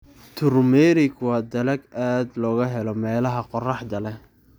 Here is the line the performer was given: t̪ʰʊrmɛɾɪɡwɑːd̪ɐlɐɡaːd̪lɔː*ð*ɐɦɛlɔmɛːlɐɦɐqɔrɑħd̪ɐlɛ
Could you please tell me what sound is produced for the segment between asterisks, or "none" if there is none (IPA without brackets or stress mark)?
ɣ